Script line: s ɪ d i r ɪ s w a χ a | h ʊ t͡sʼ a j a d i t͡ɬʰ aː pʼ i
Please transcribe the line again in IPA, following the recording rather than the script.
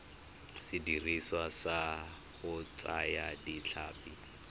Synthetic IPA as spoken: s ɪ d i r i s w a s a | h ʊ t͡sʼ a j a d i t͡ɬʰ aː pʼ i